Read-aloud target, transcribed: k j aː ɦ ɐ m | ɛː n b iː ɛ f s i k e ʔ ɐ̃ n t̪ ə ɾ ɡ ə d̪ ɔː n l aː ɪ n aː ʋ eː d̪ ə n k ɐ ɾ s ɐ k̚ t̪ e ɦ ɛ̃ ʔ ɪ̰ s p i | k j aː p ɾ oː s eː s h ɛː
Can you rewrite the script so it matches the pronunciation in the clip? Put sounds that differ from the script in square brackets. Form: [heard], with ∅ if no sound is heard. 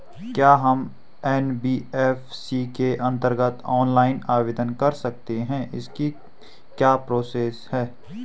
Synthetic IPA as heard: k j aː ɦ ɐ m | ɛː n b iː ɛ f s i k e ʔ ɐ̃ n t̪ ə ɾ ɡ ə [t̪] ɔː n l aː ɪ n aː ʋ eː d̪ ə n k ɐ ɾ s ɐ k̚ t̪ e ɦ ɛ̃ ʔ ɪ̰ s [k] i | k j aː p ɾ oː s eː s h ɛː